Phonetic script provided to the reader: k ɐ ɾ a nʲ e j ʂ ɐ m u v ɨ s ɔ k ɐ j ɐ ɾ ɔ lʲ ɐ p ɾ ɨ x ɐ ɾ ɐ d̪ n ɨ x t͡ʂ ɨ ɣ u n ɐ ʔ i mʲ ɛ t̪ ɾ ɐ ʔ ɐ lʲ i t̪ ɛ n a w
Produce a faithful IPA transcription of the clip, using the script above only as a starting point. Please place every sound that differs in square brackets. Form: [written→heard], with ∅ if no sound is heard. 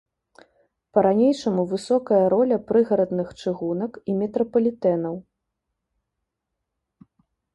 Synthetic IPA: [k→p] ɐ ɾ a nʲ e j ʂ ɐ m u v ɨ s ɔ k ɐ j ɐ ɾ ɔ lʲ ɐ p ɾ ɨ [x→ɣ] ɐ ɾ ɐ d̪ n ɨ x t͡ʂ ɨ ɣ u n ɐ [ʔ→k] i mʲ ɛ t̪ ɾ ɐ [ʔ→p] ɐ lʲ i t̪ ɛ n [a→ɐ] w